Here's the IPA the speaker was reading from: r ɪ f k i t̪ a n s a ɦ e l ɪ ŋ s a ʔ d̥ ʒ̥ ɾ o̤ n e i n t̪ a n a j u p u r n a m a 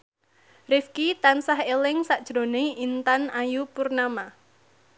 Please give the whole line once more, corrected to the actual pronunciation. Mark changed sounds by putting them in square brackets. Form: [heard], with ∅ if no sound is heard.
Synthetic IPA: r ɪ f k i t̪ a n s a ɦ e l ɪ ŋ s a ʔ d̥ ʒ̥ ɾ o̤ n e i n t̪ a n a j u p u r n a m a